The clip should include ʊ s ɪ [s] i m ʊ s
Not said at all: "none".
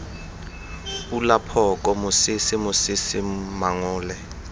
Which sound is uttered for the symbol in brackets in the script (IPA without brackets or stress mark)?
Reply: s